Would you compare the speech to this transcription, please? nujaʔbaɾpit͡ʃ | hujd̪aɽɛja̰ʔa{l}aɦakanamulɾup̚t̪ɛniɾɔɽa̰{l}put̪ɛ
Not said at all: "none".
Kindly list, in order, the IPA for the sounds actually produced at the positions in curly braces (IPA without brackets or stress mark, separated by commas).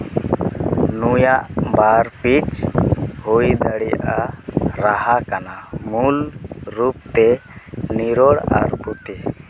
ɾ, ɾ